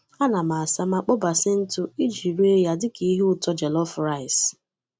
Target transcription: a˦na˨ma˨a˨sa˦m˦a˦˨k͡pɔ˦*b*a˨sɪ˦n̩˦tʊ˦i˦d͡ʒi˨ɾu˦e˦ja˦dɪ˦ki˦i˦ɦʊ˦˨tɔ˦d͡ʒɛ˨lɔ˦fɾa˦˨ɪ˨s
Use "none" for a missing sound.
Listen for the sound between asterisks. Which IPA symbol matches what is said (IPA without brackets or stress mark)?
b